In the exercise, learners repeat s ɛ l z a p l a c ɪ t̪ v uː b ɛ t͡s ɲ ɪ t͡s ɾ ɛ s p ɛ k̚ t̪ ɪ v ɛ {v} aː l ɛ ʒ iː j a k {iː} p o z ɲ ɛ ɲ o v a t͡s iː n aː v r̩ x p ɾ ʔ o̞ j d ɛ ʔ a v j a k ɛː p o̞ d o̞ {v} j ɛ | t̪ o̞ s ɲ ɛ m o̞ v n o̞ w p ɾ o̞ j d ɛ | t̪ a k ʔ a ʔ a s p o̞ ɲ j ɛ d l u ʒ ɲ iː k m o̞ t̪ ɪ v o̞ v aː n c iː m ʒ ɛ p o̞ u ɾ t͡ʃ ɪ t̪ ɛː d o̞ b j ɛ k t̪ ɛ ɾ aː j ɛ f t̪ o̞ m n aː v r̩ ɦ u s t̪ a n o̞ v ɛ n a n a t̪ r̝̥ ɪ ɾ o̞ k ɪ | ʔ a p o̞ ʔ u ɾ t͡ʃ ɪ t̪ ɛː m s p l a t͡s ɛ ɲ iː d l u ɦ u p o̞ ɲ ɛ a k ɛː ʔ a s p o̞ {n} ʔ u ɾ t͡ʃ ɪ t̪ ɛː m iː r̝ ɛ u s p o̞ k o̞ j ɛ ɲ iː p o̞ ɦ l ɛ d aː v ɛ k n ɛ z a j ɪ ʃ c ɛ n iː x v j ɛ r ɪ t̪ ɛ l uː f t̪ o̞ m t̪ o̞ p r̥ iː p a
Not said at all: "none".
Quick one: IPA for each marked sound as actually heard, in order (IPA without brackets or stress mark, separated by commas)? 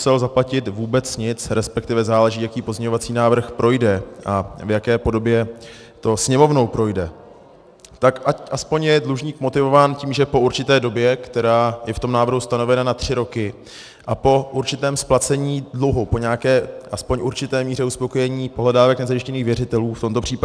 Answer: z, iː, b, ɲ